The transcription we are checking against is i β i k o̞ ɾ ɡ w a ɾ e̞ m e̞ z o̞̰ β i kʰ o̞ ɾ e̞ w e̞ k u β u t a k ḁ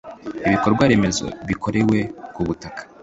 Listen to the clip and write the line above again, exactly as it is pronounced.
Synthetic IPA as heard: i β i k o̞ ɾ ɡ w a ɾ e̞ m e̞ z o̞̰ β i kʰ o̞ ɾ e̞ w e̞ k u β u t a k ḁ